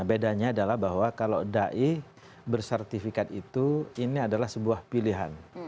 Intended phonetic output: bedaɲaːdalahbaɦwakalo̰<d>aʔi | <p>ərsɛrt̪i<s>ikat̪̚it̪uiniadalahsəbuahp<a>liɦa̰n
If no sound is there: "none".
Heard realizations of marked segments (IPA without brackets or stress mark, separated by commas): d, b, f, i